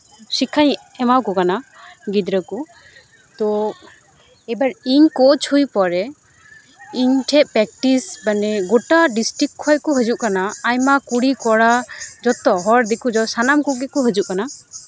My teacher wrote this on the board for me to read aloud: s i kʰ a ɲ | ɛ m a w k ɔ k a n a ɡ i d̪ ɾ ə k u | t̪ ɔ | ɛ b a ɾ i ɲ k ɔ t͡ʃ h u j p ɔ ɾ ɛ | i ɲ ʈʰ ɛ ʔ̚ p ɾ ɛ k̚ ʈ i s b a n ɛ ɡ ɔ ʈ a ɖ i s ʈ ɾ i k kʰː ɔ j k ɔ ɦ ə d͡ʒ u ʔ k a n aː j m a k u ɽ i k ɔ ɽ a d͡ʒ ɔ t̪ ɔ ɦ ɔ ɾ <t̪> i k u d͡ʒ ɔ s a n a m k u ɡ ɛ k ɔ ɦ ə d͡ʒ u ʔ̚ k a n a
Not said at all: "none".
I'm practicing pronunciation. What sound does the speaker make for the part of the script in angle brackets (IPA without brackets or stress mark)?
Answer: d̪